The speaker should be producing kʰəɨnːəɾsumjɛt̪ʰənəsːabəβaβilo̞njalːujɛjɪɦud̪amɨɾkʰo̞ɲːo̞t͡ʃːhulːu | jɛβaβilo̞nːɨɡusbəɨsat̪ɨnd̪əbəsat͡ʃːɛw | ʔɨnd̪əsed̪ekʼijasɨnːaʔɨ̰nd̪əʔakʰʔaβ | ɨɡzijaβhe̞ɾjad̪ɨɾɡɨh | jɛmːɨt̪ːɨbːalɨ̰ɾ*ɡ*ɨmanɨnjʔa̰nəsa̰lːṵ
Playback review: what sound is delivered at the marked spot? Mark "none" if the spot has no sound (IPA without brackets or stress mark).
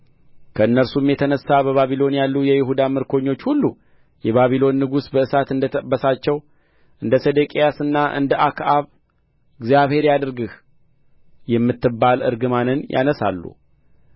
ɡ